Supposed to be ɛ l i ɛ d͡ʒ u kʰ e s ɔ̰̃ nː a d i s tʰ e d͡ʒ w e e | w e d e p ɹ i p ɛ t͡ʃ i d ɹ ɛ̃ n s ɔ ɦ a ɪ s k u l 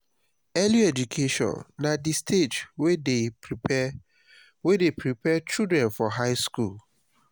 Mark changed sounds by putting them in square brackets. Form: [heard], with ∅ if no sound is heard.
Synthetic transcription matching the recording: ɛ l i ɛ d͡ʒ u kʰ e [ʃ] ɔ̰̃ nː a d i s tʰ e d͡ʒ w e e | w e d e p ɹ i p ɛ t͡ʃ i d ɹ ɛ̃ n [f] ɔ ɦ a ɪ s k u l